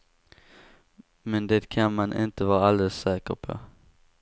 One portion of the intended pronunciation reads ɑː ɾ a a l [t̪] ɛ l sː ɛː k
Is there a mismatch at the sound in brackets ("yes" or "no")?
yes